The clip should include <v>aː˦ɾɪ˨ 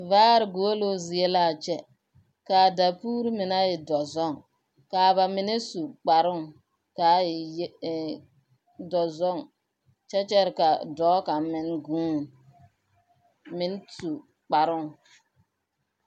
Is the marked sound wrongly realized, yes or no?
no